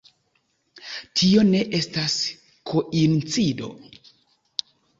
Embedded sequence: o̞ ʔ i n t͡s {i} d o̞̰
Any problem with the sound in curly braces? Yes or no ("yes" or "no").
no